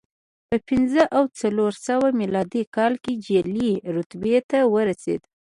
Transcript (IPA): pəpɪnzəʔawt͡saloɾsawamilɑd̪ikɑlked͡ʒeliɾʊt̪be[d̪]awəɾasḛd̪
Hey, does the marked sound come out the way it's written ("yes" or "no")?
no